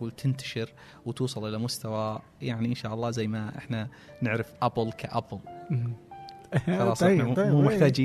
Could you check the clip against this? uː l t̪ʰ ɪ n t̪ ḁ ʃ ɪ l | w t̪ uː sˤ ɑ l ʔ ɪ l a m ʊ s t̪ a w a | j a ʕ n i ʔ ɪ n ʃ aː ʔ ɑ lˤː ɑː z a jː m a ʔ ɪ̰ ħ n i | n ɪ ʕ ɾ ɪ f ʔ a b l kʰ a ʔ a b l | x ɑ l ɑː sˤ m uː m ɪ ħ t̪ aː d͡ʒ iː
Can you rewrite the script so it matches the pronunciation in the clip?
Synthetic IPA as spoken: uː l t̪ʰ ɪ n t̪ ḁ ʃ ɪ ɾ | w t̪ uː sˤ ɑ l ʔ ɪ l a m ʊ s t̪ a w a | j a ʕ n i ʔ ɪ n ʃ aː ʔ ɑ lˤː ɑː z a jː m a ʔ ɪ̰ ħ n a | n ɪ ʕ ɾ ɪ f ʔ a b l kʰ a ʔ a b l | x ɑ l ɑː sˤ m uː m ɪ ħ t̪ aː d͡ʒ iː